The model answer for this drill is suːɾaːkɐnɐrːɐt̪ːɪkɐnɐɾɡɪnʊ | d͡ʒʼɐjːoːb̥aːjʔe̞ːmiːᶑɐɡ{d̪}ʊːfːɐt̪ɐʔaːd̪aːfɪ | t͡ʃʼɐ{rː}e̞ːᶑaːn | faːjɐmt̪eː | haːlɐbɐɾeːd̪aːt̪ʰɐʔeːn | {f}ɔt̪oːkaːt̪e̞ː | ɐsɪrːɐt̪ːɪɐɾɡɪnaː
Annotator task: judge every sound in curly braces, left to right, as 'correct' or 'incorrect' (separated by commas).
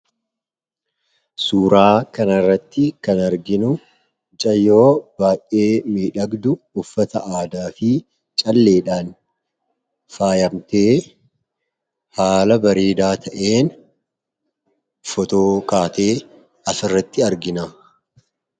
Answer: correct, incorrect, correct